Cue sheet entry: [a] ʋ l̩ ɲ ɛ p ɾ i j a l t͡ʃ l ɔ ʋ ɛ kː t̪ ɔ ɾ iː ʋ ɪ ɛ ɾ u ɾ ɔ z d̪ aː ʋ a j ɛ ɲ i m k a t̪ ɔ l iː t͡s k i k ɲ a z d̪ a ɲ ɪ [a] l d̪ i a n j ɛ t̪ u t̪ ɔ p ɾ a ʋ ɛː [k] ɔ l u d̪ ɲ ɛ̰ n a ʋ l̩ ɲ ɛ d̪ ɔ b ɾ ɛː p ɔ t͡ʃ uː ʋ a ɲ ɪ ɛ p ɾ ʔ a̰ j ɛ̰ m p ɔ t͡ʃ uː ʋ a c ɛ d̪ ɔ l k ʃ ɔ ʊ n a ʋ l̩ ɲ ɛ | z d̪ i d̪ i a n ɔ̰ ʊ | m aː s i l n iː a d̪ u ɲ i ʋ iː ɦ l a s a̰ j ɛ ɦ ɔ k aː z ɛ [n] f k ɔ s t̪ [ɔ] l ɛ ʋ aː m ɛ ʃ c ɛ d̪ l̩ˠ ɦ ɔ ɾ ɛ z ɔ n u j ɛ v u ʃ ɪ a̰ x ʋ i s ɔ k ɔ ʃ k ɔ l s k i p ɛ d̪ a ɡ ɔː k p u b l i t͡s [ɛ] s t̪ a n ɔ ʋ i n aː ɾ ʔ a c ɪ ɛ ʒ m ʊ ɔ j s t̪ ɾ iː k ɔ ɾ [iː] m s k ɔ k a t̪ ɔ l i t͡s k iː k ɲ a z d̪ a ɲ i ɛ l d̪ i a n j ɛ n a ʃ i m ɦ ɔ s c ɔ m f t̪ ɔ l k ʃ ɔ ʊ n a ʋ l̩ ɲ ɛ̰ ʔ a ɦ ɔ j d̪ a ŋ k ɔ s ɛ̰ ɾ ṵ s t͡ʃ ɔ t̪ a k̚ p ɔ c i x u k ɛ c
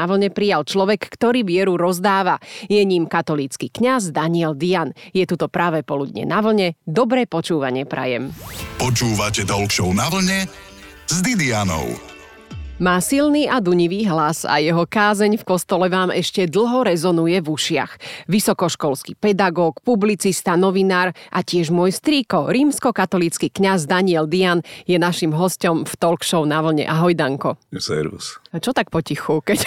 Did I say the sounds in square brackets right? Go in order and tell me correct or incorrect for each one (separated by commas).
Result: correct, incorrect, incorrect, incorrect, correct, incorrect, correct